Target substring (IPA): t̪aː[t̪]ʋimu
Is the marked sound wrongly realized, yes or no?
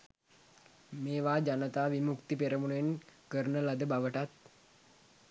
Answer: yes